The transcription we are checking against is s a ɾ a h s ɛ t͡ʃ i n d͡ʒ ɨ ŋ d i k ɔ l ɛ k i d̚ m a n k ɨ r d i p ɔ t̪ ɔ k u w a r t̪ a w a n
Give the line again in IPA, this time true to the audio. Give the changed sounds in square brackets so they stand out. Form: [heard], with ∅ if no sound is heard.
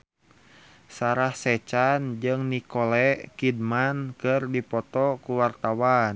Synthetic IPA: s a ɾ a h s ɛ t͡ʃ [a] n d͡ʒ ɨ ŋ [n] i k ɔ l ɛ k i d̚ m a n k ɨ r d i p ɔ t̪ ɔ k u w a r t̪ a w a n